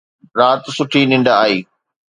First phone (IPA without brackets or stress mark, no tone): ɾ